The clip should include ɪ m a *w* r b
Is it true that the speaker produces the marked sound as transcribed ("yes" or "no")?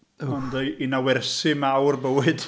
yes